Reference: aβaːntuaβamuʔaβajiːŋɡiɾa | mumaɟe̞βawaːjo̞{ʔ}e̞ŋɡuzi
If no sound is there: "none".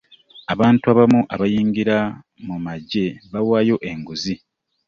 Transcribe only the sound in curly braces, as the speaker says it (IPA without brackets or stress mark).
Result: ʔ